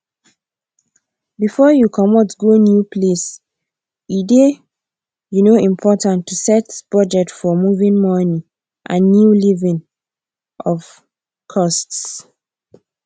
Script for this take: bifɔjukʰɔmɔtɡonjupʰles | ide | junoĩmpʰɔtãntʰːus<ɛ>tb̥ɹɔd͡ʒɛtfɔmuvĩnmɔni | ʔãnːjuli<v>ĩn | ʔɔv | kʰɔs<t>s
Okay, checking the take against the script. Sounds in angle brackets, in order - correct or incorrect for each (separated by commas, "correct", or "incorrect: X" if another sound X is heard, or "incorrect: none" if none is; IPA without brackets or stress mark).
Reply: correct, correct, correct